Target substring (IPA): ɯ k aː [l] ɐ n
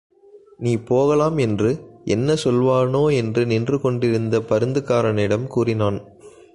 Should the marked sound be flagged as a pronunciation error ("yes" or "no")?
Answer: yes